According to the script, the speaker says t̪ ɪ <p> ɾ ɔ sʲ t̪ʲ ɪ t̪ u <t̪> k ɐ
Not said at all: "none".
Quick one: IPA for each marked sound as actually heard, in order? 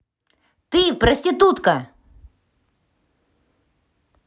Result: p, t̪

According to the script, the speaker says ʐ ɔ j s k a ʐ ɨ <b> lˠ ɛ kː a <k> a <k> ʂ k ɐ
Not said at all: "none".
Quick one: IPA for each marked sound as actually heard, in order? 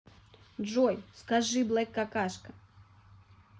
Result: b, k, none

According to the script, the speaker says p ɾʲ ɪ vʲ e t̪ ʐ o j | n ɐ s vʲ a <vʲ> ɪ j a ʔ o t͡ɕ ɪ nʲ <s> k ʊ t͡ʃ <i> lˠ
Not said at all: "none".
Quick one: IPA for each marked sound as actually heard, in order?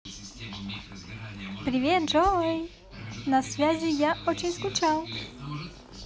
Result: zʲ, s, a

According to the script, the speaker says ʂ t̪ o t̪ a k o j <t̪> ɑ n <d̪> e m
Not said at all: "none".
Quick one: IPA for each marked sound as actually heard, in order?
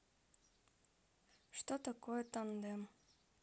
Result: t̪, d̪

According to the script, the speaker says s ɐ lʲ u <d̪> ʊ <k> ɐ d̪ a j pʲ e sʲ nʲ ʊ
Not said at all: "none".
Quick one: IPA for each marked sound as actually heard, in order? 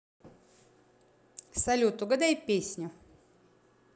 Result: t̪, ɡ

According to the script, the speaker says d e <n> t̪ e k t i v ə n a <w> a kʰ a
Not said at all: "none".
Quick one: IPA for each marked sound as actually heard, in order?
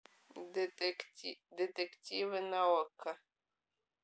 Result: none, w

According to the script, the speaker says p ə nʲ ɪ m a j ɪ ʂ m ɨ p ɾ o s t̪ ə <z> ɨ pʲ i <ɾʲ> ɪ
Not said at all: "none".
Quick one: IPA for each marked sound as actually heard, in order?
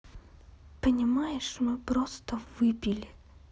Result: v, lʲ

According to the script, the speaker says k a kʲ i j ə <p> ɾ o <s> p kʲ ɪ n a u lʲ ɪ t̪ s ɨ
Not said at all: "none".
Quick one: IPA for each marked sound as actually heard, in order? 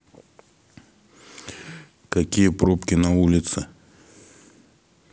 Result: p, none

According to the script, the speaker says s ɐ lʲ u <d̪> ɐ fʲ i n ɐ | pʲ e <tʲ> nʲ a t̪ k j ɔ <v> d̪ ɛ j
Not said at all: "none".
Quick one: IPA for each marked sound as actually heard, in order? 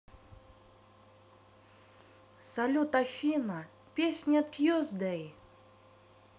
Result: t̪, sʲ, z

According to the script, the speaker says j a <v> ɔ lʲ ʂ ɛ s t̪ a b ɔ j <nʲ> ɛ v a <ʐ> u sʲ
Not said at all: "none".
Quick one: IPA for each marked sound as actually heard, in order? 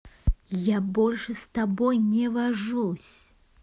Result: b, nʲ, ʐ

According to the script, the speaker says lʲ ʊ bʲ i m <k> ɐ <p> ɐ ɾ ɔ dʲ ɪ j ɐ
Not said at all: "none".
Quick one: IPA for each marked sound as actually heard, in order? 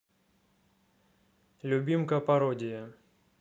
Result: k, p

